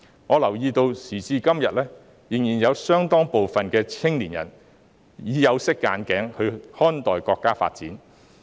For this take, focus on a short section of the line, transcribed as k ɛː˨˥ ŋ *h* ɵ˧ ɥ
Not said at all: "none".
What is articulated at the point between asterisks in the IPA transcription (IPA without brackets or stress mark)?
h